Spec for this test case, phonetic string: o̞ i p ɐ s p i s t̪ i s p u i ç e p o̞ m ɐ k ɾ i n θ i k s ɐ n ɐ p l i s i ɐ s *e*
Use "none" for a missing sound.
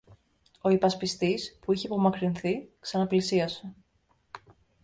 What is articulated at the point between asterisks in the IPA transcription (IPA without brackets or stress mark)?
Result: e